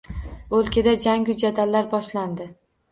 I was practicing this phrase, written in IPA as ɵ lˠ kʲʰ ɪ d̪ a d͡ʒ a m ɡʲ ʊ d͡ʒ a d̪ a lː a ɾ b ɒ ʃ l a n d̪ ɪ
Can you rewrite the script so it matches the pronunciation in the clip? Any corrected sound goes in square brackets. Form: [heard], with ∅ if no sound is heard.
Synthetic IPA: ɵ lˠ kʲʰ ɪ d̪ a d͡ʒ a [ŋ] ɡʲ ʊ d͡ʒ a d̪ a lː a ɾ b ɒ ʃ l a n d̪ ɪ